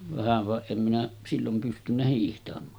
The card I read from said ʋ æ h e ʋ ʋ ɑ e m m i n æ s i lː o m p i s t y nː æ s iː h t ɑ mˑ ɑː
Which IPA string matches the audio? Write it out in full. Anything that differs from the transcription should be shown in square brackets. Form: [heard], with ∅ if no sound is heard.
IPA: ʋ æ h [æ] ʋ ʋ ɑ e m m i n æ s i lː o m p [y] s t y nː æ [h] iː h t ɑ mˑ ɑː

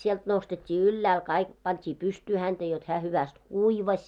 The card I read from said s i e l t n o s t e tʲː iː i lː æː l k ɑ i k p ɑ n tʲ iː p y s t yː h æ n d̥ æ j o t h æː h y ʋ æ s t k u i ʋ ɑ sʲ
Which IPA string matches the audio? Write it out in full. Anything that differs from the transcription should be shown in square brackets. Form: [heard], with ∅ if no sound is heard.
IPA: s i e l t n o s t e tʲː iː [y] lː æː l k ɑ i k p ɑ n tʲ iː p y s t yː h æ n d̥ æ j o t h æː h y ʋ æ s t k u i ʋ ɑ sʲ

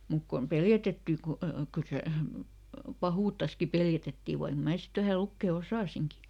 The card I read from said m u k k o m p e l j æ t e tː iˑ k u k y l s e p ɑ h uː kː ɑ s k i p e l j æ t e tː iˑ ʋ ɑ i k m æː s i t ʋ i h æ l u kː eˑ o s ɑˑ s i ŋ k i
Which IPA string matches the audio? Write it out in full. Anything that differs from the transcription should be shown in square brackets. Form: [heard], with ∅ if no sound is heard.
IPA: m u k k o m p e l j æ t e tː iˑ k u k y l s e p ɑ h uː [tː] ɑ s k i p e l j æ t e tː iˑ ʋ ɑ i k m æː s i t ʋ [æ] h æ l u kː eˑ o s ɑˑ s i ŋ k i

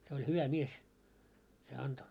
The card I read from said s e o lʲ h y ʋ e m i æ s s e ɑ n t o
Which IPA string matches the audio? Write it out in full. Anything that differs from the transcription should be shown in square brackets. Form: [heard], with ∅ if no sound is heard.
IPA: s e o lʲ h y ʋ [æ] m i [e] s s e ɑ n t o

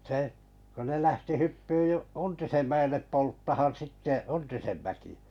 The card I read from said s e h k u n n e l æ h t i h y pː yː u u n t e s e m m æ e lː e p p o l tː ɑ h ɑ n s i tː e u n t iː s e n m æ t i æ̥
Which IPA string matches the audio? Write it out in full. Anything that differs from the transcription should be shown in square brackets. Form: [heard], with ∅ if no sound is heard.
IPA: s e h k u n n e l æ h t i h y pː yː u u n t [i] s e m m æ e lː e p p o l tː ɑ h ɑ n s i tː e u n t [i] s e n m æ [k] i æ̥

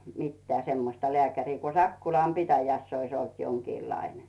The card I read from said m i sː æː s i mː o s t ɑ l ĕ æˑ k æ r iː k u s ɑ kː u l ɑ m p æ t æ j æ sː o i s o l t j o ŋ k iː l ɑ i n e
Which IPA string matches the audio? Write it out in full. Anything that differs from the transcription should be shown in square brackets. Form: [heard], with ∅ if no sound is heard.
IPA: m i [tː] æː s [e] mː o s t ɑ l ĕ æˑ k æ r iː k u s ɑ kː u l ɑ m p [i] t æ j æ sː o i s o l t j o ŋ k iː l ɑ i n e

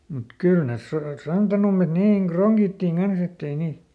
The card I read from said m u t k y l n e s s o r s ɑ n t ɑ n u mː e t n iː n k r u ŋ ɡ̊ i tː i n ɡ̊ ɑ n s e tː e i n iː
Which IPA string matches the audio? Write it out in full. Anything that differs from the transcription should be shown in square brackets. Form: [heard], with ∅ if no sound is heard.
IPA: m u t k y l n e s s o r s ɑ n t ɑ n u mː e t n iː [ŋ] k r [o] ŋ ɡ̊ i tː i [ŋ] ɡ̊ ɑ n s e tː e i n iː

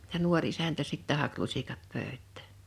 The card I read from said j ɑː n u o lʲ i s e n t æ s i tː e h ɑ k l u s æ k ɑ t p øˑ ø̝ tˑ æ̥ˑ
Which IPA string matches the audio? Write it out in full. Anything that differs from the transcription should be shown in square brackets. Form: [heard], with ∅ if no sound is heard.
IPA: j [ɑ] n u o [rʲ] i s [æ] n t æ s i tː [æ] h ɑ k l u s [i] k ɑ t p øˑ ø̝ tˑ æ̥ˑ

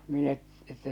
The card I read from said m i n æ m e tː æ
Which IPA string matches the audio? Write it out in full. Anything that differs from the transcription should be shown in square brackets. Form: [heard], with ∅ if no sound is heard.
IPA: m i n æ [∅] e tː æ

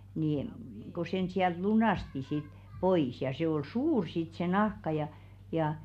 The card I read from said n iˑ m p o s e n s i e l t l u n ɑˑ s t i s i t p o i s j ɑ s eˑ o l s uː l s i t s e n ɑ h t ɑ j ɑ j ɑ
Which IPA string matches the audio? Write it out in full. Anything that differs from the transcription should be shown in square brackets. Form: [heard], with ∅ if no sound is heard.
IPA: n iˑ m [k] o s e n s i [æ] l t l u n ɑˑ s t i s i t p o i s j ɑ s eˑ o l s uː [r] s i t s e n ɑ h [k] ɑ j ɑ j ɑ

